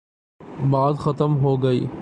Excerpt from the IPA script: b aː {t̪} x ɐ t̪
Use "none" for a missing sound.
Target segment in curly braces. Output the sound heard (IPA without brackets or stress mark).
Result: d̪